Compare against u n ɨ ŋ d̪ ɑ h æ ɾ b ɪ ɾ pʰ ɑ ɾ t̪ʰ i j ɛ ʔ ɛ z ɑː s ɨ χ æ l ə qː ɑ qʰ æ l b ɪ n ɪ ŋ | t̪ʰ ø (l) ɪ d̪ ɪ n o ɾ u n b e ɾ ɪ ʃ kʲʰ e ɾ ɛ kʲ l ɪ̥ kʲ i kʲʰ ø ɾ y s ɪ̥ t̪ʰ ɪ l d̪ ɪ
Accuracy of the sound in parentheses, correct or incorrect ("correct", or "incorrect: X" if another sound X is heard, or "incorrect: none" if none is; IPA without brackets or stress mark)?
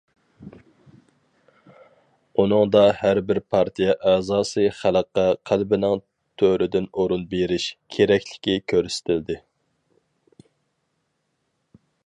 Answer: incorrect: ɾ